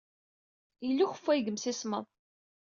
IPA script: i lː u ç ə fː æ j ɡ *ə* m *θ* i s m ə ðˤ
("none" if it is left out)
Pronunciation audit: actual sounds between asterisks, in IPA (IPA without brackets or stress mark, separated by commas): ə, s